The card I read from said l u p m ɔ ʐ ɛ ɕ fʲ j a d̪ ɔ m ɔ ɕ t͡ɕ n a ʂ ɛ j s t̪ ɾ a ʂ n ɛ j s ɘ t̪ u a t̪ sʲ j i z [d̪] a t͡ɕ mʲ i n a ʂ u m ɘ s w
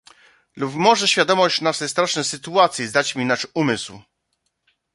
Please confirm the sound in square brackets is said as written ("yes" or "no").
yes